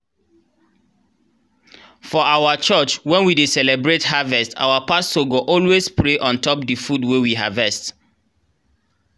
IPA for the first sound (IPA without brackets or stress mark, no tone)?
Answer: f